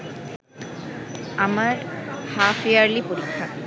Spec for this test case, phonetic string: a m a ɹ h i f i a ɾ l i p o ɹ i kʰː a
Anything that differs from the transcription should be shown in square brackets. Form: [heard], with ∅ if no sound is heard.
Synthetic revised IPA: a m a ɹ h [a] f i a [ɹ] l i p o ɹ i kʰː a